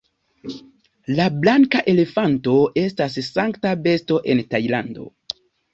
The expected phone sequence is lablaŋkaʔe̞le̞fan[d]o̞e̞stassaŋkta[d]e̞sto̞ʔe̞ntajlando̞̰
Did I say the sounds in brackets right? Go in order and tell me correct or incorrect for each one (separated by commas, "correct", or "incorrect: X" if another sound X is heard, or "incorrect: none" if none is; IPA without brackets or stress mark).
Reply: incorrect: t, incorrect: b